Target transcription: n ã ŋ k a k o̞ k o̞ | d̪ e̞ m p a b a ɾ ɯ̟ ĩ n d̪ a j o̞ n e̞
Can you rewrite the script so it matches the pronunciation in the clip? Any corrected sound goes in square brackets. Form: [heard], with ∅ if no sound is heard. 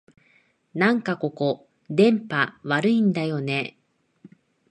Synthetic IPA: n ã ŋ k a k o̞ k o̞ | d̪ [ẽ̞] m p a [β] a ɾ ɯ̟ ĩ n d̪ a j o̞ n e̞